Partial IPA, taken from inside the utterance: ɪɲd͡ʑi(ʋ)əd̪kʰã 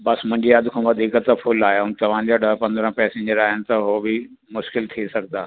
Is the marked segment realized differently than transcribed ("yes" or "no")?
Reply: yes